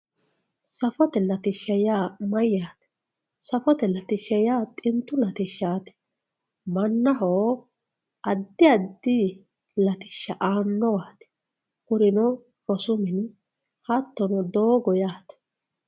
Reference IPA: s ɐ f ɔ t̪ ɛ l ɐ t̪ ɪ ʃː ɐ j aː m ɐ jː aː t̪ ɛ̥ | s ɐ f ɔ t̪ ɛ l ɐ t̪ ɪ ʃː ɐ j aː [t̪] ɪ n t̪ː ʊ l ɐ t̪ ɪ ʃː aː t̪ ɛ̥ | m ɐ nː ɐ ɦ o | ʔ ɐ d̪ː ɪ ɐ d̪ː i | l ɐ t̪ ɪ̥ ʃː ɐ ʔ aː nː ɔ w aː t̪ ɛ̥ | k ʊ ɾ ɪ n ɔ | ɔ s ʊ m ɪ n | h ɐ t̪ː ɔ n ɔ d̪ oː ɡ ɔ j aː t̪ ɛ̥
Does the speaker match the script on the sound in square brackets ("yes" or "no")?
no